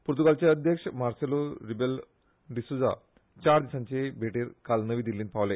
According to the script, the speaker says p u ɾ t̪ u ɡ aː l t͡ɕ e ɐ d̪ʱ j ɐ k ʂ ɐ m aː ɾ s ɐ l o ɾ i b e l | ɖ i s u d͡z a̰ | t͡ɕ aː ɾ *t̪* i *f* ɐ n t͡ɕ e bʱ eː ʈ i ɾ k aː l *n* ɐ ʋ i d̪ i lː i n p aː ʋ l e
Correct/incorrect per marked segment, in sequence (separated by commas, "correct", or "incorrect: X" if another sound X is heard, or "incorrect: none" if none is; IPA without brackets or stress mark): incorrect: d̪, incorrect: s, correct